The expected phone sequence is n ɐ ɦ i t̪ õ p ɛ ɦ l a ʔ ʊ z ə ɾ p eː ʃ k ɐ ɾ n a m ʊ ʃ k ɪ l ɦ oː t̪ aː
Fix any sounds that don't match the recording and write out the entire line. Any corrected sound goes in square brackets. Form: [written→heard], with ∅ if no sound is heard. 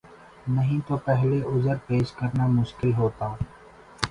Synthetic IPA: n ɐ ɦ [i→ĩ] t̪ [õ→o] p ɛ ɦ l [a→e] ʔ ʊ z ə ɾ p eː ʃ k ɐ ɾ n a m ʊ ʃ k ɪ l ɦ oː t̪ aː